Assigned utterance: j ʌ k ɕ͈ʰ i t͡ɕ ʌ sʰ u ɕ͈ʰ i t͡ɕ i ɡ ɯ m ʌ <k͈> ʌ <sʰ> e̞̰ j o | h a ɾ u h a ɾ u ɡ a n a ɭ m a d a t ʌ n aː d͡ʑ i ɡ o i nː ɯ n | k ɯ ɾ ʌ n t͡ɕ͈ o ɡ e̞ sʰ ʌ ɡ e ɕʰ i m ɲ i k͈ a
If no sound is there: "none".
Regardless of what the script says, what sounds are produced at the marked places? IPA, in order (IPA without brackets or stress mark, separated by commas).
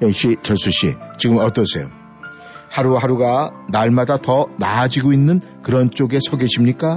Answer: t͈, sʰ